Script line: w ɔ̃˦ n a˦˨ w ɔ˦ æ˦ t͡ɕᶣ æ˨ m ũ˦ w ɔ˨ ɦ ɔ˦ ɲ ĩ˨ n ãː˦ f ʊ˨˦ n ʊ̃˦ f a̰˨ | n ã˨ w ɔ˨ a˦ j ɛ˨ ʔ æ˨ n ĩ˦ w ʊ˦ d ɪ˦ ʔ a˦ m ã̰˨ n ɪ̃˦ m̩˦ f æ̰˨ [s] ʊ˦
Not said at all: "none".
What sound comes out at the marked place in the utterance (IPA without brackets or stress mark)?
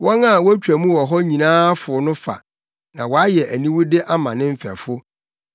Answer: f